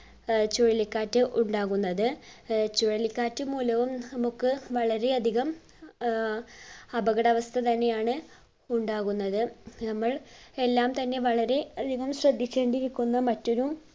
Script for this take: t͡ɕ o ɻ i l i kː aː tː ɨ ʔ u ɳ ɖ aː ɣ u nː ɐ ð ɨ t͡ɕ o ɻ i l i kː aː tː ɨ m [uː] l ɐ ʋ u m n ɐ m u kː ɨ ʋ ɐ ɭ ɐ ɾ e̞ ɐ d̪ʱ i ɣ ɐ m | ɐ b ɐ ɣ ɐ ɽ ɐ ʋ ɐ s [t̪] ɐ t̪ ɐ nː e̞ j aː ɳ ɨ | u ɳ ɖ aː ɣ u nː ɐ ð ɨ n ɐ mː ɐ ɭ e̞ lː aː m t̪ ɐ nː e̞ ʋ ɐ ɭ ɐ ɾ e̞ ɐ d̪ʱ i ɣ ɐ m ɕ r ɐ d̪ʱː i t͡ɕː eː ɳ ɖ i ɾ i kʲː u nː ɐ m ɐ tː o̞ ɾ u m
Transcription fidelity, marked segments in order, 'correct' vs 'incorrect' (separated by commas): correct, incorrect